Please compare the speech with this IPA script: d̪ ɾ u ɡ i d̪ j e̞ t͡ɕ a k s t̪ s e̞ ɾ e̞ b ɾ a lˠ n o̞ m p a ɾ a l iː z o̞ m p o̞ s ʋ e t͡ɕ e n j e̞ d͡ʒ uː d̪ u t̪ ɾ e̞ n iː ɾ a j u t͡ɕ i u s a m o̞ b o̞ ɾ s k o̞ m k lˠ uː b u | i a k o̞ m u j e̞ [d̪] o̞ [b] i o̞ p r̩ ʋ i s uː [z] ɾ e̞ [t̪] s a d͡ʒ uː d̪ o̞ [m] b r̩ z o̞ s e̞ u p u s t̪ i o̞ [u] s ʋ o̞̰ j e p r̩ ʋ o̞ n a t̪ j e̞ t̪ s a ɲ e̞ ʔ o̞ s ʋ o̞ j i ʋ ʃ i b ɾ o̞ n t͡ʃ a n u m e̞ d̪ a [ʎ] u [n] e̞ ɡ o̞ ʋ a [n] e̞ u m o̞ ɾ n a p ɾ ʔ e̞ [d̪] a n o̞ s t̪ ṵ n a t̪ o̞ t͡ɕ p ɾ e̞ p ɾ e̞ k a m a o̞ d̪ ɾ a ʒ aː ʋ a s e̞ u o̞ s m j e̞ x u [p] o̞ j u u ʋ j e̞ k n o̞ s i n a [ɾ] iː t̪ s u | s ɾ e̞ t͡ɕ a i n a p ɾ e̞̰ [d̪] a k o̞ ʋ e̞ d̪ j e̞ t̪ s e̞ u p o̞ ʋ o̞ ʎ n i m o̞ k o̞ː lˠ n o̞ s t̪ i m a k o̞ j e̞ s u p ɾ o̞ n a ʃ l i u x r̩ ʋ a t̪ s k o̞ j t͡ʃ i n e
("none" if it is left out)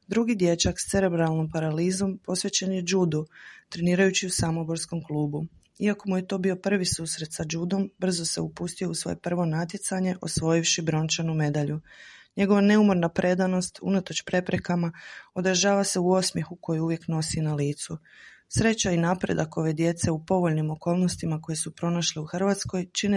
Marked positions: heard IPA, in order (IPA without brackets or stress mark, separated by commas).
t̪, b, s, t̪, m, u, ʎ, ɲ, n, d̪, k, l, d̪